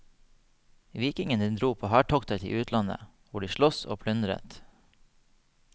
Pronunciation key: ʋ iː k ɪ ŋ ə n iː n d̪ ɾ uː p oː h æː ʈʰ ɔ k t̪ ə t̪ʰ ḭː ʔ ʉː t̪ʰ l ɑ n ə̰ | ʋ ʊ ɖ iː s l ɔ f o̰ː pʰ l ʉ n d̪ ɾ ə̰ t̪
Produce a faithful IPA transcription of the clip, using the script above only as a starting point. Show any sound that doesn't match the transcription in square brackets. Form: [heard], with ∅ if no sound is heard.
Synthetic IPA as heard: ʋ iː k ɪ ŋ ə n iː n d̪ ɾ uː [pʰ] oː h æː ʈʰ ɔ k t̪ ə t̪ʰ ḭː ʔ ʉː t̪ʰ l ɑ n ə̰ | ʋ ʊ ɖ iː [ʃ] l ɔ [s] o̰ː pʰ l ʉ n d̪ ɾ ə̰ t̪